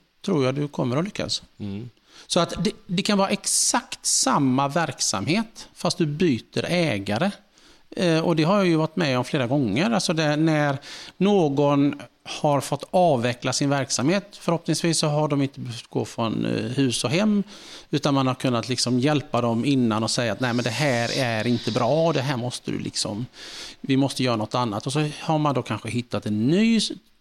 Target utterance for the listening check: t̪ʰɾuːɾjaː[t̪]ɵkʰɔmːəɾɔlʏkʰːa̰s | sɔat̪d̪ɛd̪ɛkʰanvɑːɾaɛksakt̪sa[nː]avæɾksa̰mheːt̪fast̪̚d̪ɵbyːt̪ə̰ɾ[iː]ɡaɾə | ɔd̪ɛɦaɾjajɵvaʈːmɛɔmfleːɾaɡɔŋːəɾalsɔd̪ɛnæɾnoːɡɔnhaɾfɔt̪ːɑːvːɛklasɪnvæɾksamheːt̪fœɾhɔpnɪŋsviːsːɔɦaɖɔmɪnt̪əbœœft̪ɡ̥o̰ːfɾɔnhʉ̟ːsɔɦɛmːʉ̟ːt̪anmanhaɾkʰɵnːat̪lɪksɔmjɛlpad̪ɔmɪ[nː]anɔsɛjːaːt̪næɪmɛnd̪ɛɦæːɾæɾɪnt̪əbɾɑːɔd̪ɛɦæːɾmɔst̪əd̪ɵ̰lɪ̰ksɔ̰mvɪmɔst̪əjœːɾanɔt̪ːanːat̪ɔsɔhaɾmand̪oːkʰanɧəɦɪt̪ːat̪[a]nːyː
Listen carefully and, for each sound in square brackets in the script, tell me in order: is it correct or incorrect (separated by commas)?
incorrect, incorrect, incorrect, correct, incorrect